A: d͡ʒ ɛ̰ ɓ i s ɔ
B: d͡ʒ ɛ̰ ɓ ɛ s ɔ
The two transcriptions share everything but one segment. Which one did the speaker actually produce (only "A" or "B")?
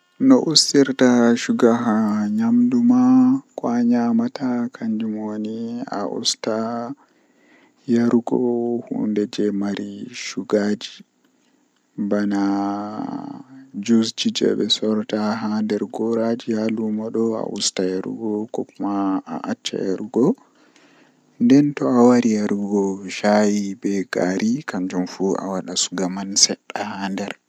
B